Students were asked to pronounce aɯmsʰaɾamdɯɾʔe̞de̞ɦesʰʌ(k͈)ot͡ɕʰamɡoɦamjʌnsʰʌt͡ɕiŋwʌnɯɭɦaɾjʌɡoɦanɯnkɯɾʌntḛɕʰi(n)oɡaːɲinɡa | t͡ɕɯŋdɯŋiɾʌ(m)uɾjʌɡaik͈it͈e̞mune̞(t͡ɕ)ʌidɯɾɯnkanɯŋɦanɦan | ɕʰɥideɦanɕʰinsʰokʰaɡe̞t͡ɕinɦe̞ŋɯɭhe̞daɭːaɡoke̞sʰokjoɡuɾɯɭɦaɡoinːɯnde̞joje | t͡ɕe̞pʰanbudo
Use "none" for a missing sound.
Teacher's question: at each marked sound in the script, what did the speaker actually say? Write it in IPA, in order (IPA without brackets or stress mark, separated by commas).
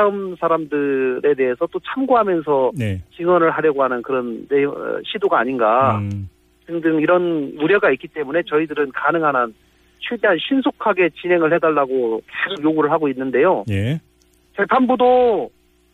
t͈, d, n, t͡ɕ